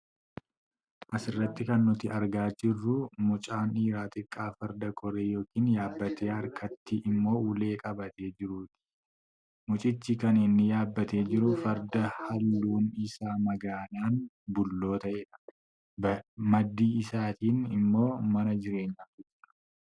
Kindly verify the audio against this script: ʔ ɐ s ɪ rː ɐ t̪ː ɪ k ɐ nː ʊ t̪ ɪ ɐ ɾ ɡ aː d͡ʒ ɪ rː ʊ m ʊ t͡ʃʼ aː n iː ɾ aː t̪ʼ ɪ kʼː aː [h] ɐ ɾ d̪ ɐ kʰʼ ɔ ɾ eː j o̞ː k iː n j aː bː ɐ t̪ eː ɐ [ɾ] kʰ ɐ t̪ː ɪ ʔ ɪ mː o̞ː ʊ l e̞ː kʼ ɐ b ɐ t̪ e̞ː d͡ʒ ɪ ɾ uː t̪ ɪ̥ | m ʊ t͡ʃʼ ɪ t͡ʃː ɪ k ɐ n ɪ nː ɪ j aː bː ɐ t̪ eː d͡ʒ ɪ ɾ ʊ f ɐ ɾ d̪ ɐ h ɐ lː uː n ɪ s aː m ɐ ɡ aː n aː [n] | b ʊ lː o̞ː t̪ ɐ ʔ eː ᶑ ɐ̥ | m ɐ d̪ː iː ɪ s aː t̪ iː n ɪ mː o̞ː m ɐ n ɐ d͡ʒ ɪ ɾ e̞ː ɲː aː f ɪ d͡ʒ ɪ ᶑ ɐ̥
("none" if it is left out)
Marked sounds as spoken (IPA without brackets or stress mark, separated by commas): f, ɾ, n